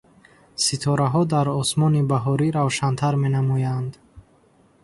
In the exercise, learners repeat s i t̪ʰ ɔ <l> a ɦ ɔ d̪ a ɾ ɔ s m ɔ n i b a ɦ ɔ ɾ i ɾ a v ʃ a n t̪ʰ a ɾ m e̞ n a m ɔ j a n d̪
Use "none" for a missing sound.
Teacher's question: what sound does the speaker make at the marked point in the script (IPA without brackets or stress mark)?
ɾ